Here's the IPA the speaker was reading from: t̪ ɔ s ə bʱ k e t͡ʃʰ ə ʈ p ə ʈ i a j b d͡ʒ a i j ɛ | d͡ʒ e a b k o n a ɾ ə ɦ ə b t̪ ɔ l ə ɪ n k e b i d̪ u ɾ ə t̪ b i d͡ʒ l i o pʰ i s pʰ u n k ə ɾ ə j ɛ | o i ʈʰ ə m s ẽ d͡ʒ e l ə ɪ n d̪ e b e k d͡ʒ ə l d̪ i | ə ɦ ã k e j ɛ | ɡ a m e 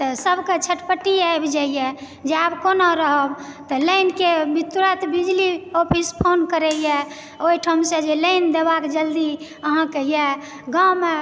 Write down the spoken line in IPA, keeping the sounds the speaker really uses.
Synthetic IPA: t̪ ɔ s ə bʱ k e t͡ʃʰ ə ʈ p ə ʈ i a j b d͡ʒ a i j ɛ | d͡ʒ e a b k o n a ɾ ə ɦ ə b t̪ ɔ l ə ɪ n k e b i t̪ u ɾ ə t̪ b i d͡ʒ l i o pʰ i s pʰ o n k ə ɾ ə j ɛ | o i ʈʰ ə m s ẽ d͡ʒ e l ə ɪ n d̪ e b a k d͡ʒ ə l d̪ i | ə ɦ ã k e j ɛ | ɡ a m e